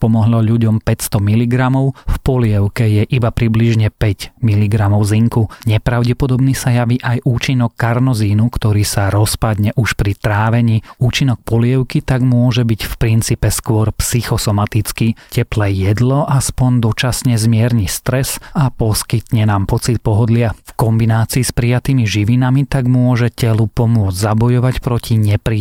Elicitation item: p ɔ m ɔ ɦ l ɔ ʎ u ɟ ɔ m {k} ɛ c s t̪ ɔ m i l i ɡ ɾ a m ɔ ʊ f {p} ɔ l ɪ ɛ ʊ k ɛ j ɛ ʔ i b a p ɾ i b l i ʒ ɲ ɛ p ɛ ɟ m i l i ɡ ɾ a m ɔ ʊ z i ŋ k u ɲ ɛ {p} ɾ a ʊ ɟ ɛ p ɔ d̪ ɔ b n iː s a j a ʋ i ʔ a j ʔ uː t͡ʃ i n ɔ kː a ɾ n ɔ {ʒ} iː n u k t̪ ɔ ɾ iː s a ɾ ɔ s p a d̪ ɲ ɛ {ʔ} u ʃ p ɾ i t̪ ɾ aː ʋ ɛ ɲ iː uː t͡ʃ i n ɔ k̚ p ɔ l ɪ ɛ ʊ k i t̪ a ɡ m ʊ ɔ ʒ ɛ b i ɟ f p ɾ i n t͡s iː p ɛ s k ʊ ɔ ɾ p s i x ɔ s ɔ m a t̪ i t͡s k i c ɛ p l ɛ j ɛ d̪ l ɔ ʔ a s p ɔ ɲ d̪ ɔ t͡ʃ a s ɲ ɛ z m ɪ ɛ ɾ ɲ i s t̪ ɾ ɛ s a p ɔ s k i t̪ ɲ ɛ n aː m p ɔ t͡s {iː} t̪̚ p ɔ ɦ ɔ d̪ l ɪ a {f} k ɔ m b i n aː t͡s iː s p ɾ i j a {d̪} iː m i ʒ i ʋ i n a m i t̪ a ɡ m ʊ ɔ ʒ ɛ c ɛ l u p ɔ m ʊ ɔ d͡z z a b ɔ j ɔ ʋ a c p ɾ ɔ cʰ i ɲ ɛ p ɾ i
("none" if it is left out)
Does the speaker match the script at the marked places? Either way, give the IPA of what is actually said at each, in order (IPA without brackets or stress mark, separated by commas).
p, p, p, z, ʔ, i, f, t̪